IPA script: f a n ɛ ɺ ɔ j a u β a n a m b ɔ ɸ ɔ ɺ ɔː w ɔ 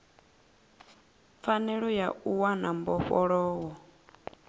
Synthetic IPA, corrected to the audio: f a n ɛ ɺ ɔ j a u w a n a m b ɔ ɸ ɔ ɺ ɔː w ɔ